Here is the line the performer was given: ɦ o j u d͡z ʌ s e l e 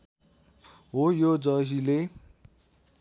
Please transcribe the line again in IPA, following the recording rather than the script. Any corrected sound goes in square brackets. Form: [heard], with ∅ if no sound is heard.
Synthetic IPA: ɦ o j [o] d͡z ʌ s [i] l e